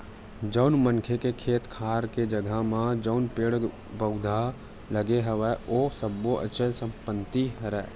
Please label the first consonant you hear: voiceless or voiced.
voiced